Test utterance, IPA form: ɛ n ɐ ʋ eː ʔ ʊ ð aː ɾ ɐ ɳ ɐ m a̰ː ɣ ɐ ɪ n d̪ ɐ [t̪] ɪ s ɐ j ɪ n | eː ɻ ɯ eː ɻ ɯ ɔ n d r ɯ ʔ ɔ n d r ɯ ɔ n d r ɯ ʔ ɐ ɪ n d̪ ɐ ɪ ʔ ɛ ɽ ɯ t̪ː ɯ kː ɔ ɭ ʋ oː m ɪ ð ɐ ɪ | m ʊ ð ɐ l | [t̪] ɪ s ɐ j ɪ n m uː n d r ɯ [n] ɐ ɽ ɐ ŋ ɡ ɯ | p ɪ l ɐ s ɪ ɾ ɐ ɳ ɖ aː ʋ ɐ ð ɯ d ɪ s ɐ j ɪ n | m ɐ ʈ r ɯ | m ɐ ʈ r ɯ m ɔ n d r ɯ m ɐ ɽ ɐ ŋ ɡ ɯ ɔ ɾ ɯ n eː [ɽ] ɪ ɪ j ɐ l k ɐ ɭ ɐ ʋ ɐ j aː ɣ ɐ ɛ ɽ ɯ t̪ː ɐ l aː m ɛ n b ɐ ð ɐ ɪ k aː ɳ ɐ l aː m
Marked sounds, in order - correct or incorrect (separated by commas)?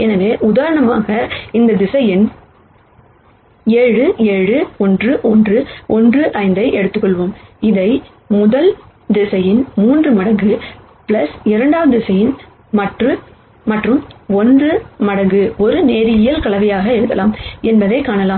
incorrect, incorrect, incorrect, incorrect